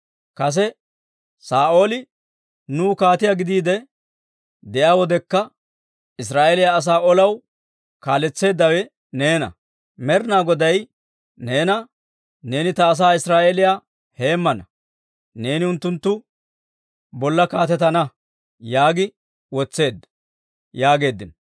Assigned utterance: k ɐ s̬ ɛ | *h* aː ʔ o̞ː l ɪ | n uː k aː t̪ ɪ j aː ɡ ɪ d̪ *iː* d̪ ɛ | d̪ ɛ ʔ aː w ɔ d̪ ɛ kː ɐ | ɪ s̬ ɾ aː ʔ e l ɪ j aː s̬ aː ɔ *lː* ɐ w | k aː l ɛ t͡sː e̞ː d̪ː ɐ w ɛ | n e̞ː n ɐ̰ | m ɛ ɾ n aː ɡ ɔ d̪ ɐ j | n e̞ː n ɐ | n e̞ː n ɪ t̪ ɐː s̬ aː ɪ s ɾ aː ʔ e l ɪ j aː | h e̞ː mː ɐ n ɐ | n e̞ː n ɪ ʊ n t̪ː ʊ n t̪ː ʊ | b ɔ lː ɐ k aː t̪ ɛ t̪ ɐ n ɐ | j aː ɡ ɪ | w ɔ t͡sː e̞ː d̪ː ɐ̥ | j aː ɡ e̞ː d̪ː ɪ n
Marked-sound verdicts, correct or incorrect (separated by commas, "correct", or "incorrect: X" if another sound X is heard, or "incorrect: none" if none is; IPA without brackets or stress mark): incorrect: s, correct, incorrect: l